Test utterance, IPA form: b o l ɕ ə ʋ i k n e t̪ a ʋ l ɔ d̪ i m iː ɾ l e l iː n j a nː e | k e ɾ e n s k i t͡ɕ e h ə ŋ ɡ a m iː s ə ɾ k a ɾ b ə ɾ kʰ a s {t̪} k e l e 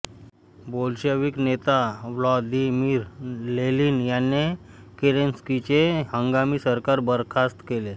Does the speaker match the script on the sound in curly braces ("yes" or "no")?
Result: yes